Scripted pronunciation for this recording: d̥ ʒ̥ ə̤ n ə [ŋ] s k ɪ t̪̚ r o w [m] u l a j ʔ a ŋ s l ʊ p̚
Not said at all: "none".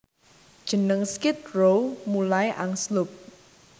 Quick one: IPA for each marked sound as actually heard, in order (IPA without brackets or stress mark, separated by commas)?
ŋ, m